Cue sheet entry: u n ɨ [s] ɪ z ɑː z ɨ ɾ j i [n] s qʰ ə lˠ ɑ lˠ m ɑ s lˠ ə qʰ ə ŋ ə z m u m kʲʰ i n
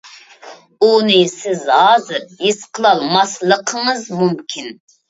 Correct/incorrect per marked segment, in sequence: correct, incorrect: none

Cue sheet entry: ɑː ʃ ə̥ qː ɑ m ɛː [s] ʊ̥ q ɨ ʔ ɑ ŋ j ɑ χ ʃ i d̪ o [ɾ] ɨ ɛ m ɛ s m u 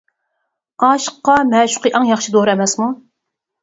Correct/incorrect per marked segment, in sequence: incorrect: ʃ, correct

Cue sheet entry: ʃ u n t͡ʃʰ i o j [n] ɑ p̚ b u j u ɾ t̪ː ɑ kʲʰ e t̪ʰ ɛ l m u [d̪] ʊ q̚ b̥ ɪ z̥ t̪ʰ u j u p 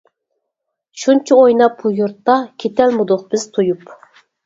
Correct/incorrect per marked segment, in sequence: correct, correct

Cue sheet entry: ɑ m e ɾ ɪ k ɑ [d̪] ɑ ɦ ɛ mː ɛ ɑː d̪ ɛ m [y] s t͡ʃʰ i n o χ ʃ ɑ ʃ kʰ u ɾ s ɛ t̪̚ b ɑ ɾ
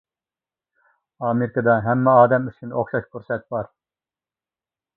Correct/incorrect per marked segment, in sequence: correct, correct

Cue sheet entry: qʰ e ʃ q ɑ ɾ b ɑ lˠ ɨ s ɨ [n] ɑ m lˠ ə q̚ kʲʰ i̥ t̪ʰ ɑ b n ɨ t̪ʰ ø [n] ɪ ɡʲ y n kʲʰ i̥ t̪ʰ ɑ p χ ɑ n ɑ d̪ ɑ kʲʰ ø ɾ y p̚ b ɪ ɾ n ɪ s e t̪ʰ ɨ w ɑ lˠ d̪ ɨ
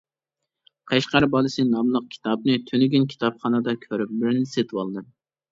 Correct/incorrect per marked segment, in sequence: correct, correct

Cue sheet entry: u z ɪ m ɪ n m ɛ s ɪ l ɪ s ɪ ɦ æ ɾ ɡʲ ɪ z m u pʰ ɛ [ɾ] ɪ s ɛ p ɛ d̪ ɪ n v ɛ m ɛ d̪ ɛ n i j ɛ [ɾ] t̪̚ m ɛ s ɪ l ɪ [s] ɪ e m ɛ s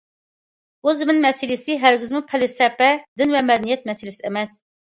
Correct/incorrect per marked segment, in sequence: incorrect: l, incorrect: none, correct

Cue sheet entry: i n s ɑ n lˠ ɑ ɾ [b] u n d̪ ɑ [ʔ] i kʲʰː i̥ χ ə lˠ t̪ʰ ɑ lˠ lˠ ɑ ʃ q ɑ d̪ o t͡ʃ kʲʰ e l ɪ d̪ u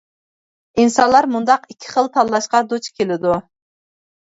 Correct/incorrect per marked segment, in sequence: incorrect: m, incorrect: q

